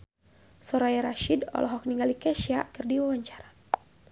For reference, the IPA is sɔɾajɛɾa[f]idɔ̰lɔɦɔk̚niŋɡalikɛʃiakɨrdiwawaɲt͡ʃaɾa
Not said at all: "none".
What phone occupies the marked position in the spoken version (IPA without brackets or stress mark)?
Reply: ʃ